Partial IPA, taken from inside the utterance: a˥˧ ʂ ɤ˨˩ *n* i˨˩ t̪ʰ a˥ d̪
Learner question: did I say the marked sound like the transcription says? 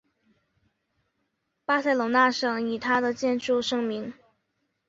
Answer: no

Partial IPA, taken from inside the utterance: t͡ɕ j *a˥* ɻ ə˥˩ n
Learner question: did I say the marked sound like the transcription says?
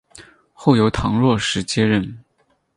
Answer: no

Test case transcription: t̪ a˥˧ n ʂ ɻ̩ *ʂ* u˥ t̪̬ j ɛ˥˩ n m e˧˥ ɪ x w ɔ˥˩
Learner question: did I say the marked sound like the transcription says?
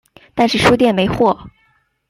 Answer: yes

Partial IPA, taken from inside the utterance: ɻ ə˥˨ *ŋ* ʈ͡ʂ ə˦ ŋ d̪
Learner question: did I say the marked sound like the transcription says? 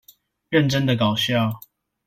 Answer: no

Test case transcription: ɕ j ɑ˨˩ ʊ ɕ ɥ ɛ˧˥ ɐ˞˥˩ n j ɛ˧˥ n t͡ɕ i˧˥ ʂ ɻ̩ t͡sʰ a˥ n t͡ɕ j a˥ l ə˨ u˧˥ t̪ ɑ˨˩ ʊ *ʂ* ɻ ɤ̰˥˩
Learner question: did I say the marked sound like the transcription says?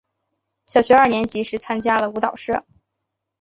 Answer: yes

